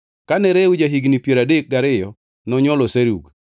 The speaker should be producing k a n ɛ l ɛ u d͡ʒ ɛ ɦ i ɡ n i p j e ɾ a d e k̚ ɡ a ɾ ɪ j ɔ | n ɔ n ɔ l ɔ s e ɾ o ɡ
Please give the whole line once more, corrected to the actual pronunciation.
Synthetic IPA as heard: k a n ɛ ɾ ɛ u d͡ʒ a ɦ i ɡ n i p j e ɾ a d e k̚ ɡ a ɾ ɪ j ɔ | n ɔ ɲ ɔ l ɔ s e ɾ u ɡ

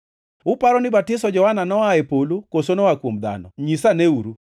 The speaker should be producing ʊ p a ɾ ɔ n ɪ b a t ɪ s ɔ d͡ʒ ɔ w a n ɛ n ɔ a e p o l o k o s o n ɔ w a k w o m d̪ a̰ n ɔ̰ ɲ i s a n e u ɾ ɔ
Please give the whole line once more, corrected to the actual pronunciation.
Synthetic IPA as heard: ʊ p a ɾ ɔ n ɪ b a t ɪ s ɔ d͡ʒ ɔ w a n a n ɔ a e p o l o k o s o n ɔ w a k w o m d̪ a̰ n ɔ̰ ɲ i s a n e u ɾ u

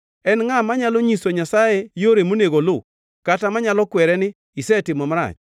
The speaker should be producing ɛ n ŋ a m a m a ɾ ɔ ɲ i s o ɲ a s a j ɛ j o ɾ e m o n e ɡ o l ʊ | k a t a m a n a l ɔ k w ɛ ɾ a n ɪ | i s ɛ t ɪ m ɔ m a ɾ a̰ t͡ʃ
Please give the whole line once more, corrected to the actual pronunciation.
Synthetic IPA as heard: ɛ n ŋ a m a ɲ a l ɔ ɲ i s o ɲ a s a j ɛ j o ɾ e m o n e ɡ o l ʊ | k a t a m a ɲ a l ɔ k w ɛ ɾ ɛ n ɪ | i s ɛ t ɪ m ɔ m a ɾ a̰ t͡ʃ

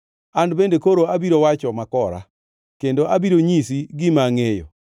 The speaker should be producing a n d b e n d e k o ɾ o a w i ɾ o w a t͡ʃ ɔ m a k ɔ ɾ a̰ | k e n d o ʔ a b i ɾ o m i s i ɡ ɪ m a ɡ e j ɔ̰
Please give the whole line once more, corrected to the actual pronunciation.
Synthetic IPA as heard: a n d b e n d e k o ɾ o a b i ɾ o w a t͡ʃ ɔ m a k ɔ ɾ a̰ | k e n d o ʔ a b i ɾ o ɲ i s i ɡ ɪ m a ŋ e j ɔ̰

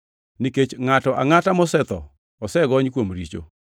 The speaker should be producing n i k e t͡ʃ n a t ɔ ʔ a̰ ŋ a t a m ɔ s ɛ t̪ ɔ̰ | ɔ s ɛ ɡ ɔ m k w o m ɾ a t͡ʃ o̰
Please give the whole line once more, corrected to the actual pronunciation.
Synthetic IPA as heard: n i k e t͡ʃ ŋ a t ɔ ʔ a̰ ŋ a t a m ɔ s ɛ t̪ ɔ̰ | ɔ s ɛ ɡ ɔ ɲ k w o m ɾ i t͡ʃ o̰

